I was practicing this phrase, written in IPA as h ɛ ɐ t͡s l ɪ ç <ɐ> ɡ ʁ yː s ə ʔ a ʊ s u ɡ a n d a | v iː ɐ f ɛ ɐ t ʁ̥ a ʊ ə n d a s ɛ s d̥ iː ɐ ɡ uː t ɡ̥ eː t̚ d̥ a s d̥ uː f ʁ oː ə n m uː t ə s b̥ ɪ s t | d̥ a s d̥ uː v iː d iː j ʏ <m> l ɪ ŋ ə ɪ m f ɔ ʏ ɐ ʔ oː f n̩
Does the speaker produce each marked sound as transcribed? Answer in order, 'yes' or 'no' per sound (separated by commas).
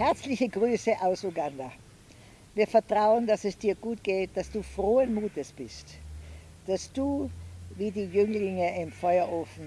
no, no